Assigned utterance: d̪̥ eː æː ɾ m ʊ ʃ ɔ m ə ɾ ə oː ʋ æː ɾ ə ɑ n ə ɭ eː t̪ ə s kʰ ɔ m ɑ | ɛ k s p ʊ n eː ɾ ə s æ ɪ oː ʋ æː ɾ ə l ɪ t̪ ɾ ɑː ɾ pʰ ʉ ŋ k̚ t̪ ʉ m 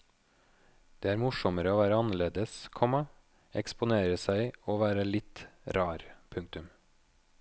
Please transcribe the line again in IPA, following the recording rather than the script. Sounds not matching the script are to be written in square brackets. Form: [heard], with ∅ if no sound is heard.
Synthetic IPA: d̪̥ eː æː ɾ m ʊ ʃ ɔ m ə ɾ ə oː ʋ æː ɾ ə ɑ n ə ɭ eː [d̪] ə s kʰ ɔ m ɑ | ɛ k s p ʊ n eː ɾ ə s æ ɪ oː ʋ æː ɾ ə l ɪ t̪ ɾ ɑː ɾ pʰ ʉ ŋ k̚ t̪ ʉ m